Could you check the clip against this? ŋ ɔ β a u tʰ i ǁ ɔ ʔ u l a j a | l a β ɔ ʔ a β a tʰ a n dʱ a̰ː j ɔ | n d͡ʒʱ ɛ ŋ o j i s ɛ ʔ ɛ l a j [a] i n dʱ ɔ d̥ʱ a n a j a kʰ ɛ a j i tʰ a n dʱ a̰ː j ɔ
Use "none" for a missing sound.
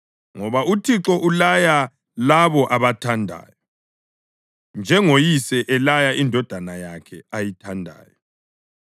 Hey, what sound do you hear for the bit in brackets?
a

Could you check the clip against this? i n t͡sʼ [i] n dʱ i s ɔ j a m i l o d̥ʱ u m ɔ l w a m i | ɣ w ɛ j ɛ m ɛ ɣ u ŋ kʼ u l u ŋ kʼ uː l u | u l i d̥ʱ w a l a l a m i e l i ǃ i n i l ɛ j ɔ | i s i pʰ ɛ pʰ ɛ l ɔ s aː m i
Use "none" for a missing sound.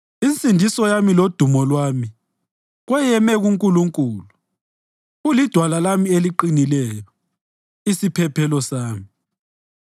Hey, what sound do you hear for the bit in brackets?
i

